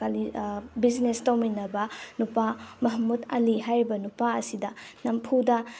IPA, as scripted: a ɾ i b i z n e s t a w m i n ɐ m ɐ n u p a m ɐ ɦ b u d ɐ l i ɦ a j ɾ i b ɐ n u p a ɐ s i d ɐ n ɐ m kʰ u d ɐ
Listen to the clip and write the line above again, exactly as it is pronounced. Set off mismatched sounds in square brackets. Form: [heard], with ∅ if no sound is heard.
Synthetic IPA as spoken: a [l] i b i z n e s t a w m i n ɐ [b] ɐ n u p a m ɐ ɦ [m] u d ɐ l i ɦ a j ɾ i b ɐ n u p a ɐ s i d ɐ n ɐ m [pʰ] u d ɐ